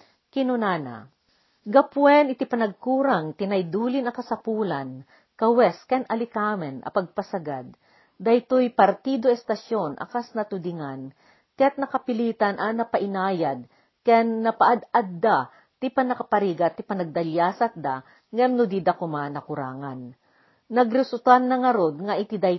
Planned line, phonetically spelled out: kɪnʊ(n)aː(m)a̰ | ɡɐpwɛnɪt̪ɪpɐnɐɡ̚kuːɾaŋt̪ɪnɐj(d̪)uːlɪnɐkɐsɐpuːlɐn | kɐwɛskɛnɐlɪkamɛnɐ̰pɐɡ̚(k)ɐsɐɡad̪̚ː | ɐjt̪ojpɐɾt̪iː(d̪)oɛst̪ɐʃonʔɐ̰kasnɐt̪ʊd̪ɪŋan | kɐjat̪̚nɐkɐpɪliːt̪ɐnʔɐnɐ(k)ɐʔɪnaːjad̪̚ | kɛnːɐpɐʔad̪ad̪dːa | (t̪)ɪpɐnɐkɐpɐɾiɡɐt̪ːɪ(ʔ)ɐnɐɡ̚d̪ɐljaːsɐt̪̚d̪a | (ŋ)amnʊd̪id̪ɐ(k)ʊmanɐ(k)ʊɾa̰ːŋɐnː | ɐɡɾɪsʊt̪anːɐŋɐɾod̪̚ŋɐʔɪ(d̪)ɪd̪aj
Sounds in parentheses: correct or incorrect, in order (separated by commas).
correct, incorrect, correct, incorrect, correct, incorrect, correct, incorrect, correct, correct, correct, incorrect